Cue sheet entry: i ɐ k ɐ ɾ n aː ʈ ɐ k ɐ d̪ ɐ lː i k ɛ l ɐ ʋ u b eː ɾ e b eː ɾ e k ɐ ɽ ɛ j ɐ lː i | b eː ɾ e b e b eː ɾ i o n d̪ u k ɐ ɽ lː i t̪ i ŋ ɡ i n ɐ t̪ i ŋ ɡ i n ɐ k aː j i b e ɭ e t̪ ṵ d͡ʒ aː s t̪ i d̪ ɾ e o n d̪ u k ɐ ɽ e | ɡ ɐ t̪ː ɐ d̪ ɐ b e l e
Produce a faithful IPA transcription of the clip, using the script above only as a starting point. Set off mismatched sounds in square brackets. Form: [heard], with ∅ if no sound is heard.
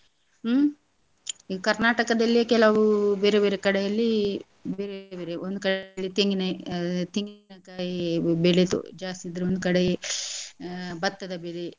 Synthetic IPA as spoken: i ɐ k ɐ ɾ n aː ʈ ɐ k ɐ d̪ ɐ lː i k ɛ l ɐ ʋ u b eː ɾ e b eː ɾ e k ɐ ɽ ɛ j ɐ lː i | b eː ɾ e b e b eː ɾ [e] o n d̪ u k ɐ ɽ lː i t̪ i ŋ ɡ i n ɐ t̪ i ŋ ɡ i n ɐ k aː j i b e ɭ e t̪ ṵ d͡ʒ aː s t̪ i d̪ ɾ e o n d̪ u k ɐ ɽ e | [b] ɐ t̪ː ɐ d̪ ɐ b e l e